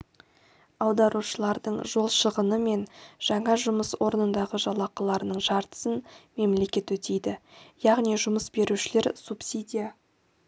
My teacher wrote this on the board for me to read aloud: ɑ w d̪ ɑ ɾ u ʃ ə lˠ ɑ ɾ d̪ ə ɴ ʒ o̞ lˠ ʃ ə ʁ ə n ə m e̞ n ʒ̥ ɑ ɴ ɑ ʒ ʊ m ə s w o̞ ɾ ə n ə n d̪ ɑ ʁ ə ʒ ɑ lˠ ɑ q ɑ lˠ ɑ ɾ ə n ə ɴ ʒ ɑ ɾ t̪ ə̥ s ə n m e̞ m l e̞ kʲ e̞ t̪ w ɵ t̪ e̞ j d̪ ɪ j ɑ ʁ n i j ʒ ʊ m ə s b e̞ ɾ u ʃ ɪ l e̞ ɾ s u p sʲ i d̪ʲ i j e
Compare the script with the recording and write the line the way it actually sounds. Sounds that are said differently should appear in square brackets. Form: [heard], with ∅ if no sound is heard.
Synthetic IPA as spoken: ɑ w d̪ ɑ ɾ u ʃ ə lˠ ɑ ɾ d̪ ə ɴ ʒ o̞ lˠ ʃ ə ʁ ə n ə m e̞ n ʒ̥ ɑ ɴ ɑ ʒ ʊ m ə s w o̞ ɾ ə n ə n d̪ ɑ ʁ ə ʒ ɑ lˠ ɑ q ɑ lˠ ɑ ɾ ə n ə ɴ ʒ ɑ ɾ t̪ ə̥ s ə n m e̞ m l e̞ kʲ e̞ t̪ w ɵ t̪ e̞ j d̪ ɪ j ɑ ʁ n i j ʒ ʊ m ə s b e̞ ɾ u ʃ ɪ l e̞ ɾ s u p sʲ i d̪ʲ i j [a]